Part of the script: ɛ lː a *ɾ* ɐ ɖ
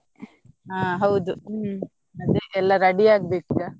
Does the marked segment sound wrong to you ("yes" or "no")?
no